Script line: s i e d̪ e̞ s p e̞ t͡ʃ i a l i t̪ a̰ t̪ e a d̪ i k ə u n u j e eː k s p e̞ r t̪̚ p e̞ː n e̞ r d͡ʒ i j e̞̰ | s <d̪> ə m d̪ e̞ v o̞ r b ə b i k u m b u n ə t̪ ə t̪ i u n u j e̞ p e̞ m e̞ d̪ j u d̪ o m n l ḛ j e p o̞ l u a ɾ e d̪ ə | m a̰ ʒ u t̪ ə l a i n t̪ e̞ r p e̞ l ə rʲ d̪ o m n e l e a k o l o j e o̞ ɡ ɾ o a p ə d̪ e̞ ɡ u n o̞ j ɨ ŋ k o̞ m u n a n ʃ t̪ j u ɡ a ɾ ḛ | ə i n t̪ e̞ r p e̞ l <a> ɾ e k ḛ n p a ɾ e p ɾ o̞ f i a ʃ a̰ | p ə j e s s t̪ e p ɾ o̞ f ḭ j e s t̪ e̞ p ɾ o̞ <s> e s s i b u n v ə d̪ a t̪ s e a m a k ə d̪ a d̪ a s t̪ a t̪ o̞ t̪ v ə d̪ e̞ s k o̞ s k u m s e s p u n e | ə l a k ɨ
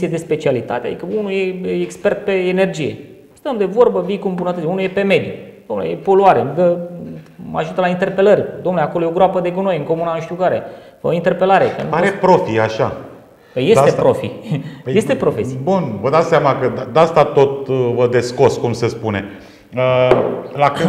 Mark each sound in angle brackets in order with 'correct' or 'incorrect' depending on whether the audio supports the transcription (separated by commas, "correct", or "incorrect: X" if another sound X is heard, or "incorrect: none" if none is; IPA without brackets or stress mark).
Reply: incorrect: t̪, correct, incorrect: f